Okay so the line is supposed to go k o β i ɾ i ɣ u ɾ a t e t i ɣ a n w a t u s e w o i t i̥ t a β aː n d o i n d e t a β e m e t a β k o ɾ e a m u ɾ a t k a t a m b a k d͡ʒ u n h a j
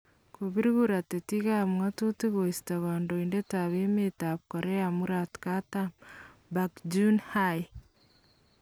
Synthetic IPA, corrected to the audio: k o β i ɾ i ɣ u ɾ a t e t i ɣ a m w a t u t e ɣ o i s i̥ t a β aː n d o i n d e t a β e m e t a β k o ɾ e a m u ɾ a t k a t a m b a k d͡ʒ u n h a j